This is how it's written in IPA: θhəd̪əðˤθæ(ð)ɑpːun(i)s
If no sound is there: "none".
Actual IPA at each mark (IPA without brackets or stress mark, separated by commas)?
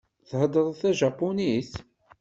ʒ, i